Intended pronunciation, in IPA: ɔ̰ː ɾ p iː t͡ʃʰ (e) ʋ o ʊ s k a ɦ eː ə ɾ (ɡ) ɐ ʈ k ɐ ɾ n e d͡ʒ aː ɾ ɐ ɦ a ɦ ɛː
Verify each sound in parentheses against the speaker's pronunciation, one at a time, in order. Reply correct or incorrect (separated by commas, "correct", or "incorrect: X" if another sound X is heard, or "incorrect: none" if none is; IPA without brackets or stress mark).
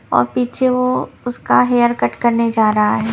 correct, incorrect: k